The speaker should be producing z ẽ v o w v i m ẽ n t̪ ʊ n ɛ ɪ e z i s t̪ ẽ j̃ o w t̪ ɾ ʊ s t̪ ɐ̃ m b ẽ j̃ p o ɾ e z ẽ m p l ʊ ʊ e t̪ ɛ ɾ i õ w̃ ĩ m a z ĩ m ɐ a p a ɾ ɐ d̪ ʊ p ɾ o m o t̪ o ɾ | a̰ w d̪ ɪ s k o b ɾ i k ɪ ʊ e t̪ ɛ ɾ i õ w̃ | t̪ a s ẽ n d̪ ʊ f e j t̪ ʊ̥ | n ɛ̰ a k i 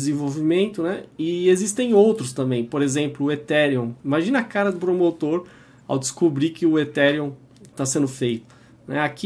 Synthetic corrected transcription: z ẽ v o w v i m ẽ n t̪ ʊ n ɛ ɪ e z i s t̪ ẽ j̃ o w t̪ ɾ ʊ s t̪ ɐ̃ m b ẽ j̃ p o ɾ e z ẽ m p l ʊ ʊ e t̪ ɛ ɾ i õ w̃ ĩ m a ʒ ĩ n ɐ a k a ɾ ɐ d̪ ʊ p ɾ o m o t̪ o ɾ | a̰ w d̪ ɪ s k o b ɾ i k ɪ ʊ e t̪ ɛ ɾ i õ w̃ | t̪ a s ẽ n d̪ ʊ f e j t̪ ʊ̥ | n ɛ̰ a k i

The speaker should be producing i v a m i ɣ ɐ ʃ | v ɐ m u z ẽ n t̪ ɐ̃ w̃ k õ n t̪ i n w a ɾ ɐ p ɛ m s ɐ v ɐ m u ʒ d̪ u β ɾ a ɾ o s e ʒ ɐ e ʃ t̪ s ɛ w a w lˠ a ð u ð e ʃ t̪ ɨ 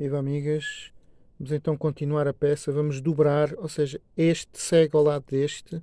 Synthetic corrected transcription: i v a m i ɣ ɐ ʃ | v ɐ m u z ẽ n t̪ ɐ̃ w̃ k õ n t̪ i n w a ɾ ɐ p ɛ s ɐ v ɐ m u ʒ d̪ u β ɾ a ɾ o s e ʒ ɐ e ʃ t̪ s ɛ ɣ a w lˠ a ð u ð e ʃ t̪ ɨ

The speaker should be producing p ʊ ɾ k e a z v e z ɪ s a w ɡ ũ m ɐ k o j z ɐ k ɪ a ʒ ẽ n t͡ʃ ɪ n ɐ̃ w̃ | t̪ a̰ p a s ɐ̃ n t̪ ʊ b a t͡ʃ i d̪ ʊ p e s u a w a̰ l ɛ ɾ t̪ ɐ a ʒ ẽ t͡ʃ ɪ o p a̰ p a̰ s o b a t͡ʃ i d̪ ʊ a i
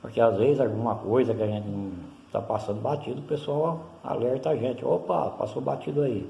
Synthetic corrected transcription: p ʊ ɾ k e a z v e z ɪ z a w ɡ ũ m ɐ k o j z ɐ k ɪ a ʒ ẽ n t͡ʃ ɪ n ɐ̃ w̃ | t̪ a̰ p a s ɐ̃ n d̪ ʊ b a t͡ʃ i d̪ ʊ p e s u a w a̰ l ɛ ɾ t̪ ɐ a ʒ ẽ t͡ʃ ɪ o p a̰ p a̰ s o b a t͡ʃ i d̪ ʊ a i

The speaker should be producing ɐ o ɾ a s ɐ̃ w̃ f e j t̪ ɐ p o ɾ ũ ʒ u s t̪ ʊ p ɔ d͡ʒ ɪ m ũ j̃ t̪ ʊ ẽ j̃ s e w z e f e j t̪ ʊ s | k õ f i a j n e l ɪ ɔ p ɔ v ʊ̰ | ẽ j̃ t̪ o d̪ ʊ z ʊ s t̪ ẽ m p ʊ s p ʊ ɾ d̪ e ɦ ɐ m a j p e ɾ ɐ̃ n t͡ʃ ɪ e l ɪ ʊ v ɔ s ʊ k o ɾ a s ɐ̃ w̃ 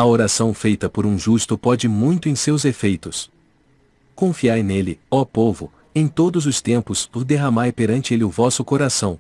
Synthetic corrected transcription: ɐ o ɾ a s ɐ̃ w̃ f e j t̪ ɐ p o ɾ ũ ʒ u s t̪ ʊ p ɔ d͡ʒ ɪ m ũ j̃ t̪ ʊ ẽ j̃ s e w z e f e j t̪ ʊ s | k õ f i a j n e l ɪ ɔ p o v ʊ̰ | ẽ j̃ t̪ o d̪ ʊ z ʊ s t̪ ẽ m p ʊ s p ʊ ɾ d̪ e ɦ ɐ m a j p e ɾ ɐ̃ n t͡ʃ ɪ e l ɪ ʊ v ɔ s ʊ k o ɾ a s ɐ̃ w̃

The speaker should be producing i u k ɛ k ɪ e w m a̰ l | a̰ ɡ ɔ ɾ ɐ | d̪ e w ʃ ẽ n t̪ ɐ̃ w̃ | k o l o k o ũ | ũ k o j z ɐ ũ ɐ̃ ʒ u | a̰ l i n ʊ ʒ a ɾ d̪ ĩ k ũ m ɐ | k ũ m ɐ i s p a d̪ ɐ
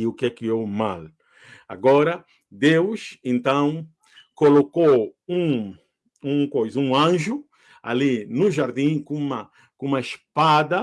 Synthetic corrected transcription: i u k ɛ k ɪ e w m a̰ l | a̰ ɡ ɔ ɾ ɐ | d̪ e w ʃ ẽ n t̪ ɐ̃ w̃ | k o l o k o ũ | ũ k o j z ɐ ũ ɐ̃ ʒ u | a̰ l i n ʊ ʒ a ɾ d̪ ĩ k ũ m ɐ | k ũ m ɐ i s p a d̪ ɐ

